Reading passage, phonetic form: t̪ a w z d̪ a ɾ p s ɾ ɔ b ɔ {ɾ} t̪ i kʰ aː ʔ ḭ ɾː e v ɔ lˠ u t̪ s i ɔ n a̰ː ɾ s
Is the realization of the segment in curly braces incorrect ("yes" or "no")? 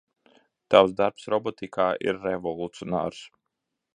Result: yes